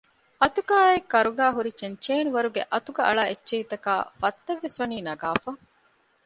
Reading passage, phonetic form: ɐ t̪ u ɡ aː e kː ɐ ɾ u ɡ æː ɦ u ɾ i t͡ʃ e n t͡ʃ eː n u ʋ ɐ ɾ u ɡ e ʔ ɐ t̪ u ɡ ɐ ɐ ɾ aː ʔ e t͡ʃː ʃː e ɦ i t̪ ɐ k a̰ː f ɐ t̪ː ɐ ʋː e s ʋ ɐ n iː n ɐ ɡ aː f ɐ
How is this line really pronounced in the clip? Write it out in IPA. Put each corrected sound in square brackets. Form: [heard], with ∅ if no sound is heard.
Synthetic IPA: ɐ t̪ u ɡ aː e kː ɐ ɾ u ɡ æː ɦ u ɾ i t͡ʃ e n t͡ʃ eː n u ʋ ɐ ɾ u ɡ e ʔ ɐ t̪ u ɡ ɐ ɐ [ɭ] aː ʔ e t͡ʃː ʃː e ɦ i t̪ ɐ k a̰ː f ɐ t̪ː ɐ ʋː e s ʋ ɐ n iː n ɐ ɡ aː f ɐ